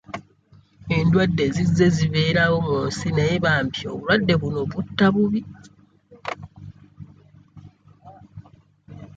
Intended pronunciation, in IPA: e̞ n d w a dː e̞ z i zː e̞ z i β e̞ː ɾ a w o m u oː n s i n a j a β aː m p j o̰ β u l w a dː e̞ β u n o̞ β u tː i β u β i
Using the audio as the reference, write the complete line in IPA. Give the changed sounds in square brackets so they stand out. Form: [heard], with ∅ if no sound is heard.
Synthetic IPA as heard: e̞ n d w a dː e̞ z i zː e̞ z i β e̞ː ɾ a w o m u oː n s i n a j [e] β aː m p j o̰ β u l w a dː e̞ β u n o̞ β u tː [a] β u β i